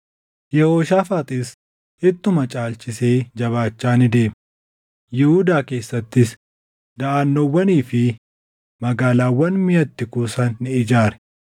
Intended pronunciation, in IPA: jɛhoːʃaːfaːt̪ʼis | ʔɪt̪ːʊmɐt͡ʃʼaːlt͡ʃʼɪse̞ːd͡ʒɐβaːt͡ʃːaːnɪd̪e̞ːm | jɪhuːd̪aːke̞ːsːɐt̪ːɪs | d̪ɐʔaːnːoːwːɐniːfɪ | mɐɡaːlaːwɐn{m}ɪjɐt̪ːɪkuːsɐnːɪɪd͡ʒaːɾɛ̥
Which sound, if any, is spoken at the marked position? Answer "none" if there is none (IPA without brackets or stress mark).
m